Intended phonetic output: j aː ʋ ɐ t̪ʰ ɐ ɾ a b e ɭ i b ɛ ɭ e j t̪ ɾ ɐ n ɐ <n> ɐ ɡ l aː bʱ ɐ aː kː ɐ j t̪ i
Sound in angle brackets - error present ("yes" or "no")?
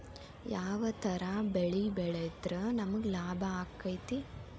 yes